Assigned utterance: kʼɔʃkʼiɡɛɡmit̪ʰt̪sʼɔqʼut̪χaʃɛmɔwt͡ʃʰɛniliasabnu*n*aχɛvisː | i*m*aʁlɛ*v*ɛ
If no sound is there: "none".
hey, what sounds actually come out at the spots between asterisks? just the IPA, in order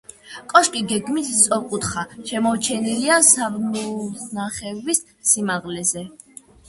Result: n, m, z

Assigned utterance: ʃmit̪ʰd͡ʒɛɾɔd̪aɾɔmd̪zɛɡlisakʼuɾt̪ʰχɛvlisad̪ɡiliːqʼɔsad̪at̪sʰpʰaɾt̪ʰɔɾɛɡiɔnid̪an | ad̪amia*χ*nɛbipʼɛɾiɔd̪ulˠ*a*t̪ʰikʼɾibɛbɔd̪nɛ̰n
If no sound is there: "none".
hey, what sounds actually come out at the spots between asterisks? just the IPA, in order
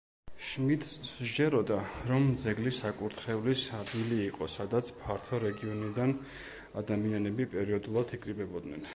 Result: none, a

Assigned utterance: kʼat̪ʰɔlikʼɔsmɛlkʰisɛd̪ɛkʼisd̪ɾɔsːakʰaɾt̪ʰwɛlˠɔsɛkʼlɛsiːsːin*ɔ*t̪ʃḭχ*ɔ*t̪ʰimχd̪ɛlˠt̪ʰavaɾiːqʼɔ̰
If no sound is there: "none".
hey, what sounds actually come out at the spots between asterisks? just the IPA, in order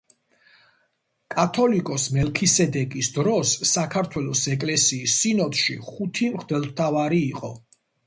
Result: ɔ, u

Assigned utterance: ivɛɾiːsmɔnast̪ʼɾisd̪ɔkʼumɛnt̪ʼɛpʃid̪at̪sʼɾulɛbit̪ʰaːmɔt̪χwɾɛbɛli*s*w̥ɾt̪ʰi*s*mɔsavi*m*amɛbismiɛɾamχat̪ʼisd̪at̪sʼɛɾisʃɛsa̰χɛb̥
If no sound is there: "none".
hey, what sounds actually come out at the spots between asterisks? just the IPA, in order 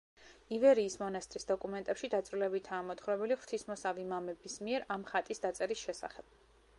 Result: χ, s, m

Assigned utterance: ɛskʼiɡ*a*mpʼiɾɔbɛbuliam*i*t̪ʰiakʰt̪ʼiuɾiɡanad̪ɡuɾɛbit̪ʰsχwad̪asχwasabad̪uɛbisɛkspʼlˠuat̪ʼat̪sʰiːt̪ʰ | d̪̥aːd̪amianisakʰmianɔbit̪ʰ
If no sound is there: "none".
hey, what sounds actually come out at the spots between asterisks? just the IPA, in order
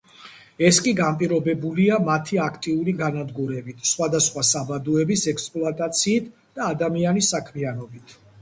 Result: a, a

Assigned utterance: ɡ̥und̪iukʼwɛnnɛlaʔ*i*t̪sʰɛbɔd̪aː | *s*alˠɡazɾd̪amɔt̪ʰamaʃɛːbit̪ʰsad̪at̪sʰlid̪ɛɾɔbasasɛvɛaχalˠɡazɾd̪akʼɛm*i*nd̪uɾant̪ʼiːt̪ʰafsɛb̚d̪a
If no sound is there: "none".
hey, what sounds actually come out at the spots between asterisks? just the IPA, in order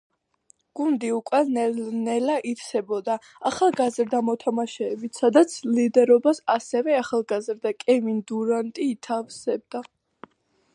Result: i, χ, i

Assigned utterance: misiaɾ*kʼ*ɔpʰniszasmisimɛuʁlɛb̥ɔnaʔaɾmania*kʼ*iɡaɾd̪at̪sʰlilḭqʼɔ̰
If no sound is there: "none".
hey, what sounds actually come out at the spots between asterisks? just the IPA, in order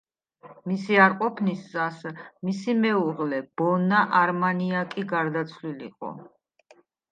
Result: qʼ, kʼ

